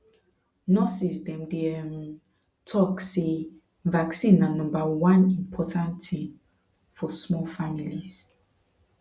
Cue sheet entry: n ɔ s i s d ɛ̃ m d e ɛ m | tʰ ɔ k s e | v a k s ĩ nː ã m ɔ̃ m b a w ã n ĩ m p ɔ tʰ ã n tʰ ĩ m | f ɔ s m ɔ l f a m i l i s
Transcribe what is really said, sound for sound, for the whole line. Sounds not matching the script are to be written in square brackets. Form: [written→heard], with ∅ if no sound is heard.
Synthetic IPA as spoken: n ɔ s i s d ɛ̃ m d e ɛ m | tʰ ɔ k s e | v a k s ĩ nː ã [m→n] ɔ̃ m b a w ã n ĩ m [p→pʰ] ɔ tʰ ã n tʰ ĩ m | f ɔ s m ɔ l f a m i l i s